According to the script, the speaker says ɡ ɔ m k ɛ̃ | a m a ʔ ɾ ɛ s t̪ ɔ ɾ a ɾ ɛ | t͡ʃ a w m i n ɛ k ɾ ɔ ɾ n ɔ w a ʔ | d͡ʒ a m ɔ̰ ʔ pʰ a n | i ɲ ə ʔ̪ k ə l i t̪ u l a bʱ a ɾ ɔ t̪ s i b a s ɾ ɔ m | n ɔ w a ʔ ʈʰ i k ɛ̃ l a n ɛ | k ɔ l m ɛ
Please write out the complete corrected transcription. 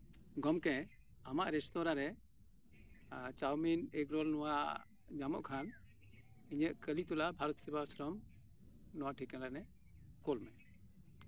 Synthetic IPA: ɡ ɔ m k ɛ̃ | a m a ʔ ɾ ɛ s t̪ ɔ ɾ a ɾ ɛ | t͡ʃ a w m i n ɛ k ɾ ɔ l n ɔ w a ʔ | d͡ʒ a m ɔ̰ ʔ kʰ a n | i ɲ ə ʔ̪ k ə l i t̪ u l a bʱ a ɾ ɔ t̪ s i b a s ɾ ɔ m | n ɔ w a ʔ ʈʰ i k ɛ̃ l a n ɛ | k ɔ l m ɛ